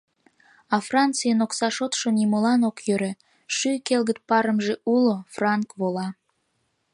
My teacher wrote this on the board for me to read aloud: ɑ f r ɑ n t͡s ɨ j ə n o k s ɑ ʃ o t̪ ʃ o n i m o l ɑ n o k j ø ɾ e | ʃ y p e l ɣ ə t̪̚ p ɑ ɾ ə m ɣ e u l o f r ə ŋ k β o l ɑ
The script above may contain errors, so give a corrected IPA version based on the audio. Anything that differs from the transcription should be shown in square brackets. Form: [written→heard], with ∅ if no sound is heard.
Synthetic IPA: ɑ f r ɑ n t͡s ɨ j ə n o k s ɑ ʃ o t̪ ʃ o n i m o l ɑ n o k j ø ɾ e | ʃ y [p→k] e l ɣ ə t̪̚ p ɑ ɾ ə m [ɣ→ʒ] e u l o f r [ə→ɑ] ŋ k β o l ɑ